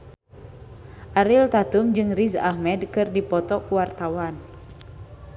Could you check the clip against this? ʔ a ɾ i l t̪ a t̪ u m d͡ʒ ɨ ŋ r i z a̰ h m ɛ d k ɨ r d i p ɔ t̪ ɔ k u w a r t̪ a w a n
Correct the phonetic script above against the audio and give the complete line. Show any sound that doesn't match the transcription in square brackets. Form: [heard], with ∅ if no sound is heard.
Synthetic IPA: ʔ a ɾ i l t̪ a t̪ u m d͡ʒ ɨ ŋ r i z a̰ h m ɛ d k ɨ r d i p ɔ t̪ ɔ k u w a r t̪ a w a n